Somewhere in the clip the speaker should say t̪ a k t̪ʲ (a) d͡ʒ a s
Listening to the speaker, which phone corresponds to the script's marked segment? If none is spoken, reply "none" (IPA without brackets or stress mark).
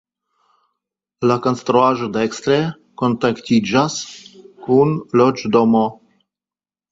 i